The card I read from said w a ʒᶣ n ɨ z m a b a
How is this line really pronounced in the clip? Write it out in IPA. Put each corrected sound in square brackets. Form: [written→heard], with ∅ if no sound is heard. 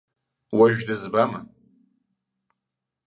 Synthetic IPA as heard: w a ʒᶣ [n→d] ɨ z [m→b] a [b→m] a